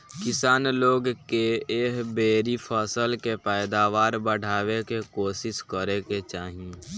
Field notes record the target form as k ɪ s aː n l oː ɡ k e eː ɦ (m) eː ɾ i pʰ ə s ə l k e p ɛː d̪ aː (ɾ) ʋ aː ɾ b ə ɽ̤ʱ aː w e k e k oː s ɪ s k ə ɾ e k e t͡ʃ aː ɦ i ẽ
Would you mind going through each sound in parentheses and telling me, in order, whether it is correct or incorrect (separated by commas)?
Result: incorrect, incorrect